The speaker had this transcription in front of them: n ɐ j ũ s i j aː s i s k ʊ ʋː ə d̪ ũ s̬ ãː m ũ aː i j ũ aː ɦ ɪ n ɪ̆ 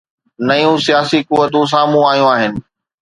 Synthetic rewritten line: n ɐ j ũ s i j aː s i k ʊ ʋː ə t̪ ũ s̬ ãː m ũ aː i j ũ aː ɦ ɪ n ɪ̆